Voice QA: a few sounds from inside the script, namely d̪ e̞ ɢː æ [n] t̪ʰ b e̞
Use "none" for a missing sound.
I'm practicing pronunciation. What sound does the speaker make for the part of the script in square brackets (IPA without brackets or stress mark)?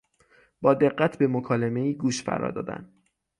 none